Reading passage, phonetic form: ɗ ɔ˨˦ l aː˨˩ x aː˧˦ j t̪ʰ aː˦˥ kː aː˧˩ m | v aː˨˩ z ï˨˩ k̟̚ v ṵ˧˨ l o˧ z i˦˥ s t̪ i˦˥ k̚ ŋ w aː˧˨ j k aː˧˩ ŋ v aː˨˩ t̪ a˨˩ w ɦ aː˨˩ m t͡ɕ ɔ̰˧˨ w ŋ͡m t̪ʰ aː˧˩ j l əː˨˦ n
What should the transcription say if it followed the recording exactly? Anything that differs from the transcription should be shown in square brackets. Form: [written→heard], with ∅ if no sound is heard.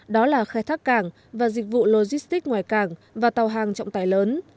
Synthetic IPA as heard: ɗ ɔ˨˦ l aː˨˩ x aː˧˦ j t̪ʰ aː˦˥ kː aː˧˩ [m→ŋ] | v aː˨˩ z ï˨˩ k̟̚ v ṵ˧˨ l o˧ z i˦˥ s t̪ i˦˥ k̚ ŋ w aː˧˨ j k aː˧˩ ŋ v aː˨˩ t̪ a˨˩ w ɦ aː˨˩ [m→ŋ] t͡ɕ ɔ̰˧˨ w ŋ͡m [t̪ʰ→t̪] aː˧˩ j l əː˨˦ n